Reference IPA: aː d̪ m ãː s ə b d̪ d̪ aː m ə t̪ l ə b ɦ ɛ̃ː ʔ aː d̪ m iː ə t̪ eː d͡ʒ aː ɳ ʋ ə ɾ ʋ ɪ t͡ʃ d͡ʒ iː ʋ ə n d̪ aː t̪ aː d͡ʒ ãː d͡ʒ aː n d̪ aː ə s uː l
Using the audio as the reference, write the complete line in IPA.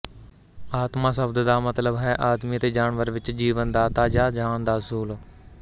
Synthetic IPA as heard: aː t̪ m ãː s ə b d̪ d̪ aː m ə t̪ l ə b ɦ ɛː ʔ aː d̪ m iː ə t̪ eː d͡ʒ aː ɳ ʋ ə ɾ ʋ ɪ t͡ʃ d͡ʒ iː ʋ ə n d̪ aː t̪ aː d͡ʒ aː d͡ʒ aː n d̪ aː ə s uː l